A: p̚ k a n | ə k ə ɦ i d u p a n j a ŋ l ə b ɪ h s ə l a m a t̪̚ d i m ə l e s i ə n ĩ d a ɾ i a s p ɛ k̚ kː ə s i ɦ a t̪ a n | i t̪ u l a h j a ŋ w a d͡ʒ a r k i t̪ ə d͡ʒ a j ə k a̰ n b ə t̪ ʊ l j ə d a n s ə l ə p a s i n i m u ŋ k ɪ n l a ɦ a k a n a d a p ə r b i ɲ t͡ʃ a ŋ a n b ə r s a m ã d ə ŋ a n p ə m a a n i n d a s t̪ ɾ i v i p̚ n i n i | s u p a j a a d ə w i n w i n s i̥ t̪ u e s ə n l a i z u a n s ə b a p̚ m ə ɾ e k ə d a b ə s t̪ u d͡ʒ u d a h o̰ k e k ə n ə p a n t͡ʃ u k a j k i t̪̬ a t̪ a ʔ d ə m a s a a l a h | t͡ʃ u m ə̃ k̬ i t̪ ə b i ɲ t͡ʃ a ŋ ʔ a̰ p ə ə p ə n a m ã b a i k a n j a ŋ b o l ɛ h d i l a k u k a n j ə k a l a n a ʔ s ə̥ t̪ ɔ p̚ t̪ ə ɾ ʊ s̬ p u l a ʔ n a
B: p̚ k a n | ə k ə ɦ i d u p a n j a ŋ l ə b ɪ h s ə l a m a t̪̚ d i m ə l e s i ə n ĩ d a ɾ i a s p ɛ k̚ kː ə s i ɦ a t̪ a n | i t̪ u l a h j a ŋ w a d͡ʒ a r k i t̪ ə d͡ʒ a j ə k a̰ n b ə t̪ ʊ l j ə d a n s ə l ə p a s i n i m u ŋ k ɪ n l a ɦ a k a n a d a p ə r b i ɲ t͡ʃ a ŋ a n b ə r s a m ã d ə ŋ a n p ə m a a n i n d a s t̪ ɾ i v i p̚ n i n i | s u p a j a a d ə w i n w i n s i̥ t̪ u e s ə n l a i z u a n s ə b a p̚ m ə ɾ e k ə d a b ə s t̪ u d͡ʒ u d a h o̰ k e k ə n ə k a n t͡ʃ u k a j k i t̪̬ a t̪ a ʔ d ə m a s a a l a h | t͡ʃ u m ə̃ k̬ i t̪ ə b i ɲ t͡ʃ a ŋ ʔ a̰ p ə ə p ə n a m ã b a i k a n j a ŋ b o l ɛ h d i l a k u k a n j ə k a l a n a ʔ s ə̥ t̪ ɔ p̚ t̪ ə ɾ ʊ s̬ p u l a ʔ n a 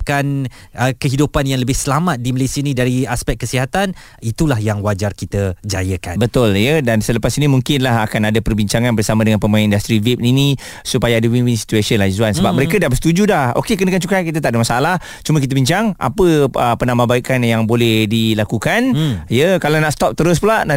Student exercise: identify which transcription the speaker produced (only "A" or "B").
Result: B